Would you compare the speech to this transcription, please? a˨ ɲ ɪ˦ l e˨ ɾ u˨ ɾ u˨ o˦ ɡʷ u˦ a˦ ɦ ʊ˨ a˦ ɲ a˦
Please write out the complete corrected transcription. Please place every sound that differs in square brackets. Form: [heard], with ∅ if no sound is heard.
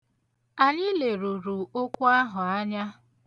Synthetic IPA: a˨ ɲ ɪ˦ l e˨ ɾ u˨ ɾ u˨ o˦ [kʷ] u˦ a˦ ɦ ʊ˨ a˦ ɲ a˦